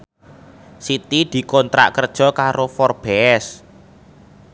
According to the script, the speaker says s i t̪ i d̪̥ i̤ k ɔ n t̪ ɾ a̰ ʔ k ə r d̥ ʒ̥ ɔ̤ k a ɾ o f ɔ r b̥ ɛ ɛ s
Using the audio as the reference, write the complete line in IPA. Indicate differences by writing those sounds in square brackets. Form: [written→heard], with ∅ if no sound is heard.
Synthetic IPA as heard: s i t̪ i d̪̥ i̤ k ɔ n t̪ ɾ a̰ ʔ k ə r d̥ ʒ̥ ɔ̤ k a ɾ o f ɔ r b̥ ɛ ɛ s